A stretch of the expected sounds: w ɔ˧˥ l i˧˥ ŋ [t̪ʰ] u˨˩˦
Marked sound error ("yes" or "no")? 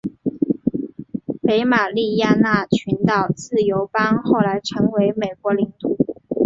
yes